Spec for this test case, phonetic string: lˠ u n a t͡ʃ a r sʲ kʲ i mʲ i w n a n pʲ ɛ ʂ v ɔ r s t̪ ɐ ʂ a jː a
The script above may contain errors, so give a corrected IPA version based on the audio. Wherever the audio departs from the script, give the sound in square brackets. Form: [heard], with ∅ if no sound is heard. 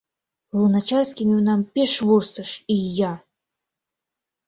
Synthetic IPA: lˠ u n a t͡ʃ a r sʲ kʲ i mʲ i w n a [m] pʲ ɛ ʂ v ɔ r s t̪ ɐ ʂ [i] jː a